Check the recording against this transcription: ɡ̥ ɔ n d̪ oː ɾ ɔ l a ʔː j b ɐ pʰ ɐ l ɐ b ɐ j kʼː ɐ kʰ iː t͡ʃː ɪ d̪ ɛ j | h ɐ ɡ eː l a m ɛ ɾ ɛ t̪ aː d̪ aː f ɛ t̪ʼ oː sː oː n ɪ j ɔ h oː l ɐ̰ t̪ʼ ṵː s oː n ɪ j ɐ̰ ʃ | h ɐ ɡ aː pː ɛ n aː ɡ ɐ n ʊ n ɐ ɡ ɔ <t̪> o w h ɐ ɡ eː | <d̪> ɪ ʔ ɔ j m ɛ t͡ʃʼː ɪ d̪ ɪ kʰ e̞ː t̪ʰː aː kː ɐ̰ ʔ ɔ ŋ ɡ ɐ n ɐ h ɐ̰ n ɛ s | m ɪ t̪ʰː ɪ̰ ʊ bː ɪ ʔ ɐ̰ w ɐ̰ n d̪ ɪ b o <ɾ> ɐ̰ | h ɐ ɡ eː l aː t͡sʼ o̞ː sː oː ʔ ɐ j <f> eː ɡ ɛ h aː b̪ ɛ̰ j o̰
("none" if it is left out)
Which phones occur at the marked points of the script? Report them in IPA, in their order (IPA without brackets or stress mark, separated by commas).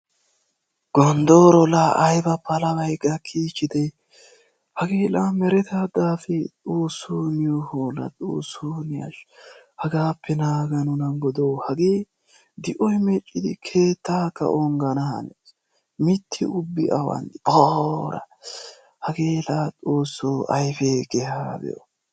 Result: d̪, d̪, ɾ, f